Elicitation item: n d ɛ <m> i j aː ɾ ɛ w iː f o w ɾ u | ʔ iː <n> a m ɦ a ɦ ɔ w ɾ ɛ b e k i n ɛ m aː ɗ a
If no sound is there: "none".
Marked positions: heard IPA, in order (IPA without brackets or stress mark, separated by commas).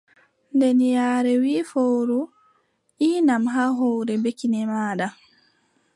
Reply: n, n